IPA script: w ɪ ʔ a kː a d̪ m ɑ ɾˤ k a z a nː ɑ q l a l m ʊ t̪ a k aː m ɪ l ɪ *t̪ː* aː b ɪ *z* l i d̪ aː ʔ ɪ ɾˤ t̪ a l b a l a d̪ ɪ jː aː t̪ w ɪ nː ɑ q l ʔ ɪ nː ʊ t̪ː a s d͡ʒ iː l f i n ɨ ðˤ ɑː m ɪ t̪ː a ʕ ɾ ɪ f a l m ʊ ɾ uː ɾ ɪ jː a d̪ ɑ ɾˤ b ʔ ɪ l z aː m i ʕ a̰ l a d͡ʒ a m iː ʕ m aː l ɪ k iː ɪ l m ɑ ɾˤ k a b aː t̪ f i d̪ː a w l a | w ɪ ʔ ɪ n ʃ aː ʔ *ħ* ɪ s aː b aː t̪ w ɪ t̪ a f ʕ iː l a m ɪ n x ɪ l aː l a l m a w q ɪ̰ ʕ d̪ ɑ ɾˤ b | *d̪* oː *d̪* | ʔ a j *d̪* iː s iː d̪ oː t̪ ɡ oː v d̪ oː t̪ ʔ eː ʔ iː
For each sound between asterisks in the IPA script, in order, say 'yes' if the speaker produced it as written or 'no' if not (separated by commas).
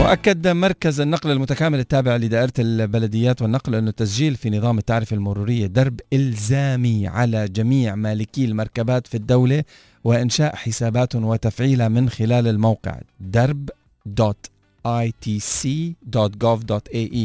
yes, no, yes, yes, no, no